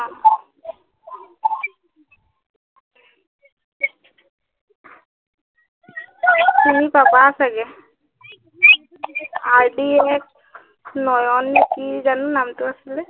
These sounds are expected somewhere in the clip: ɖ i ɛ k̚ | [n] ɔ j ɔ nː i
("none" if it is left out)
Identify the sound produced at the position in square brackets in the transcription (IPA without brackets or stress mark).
n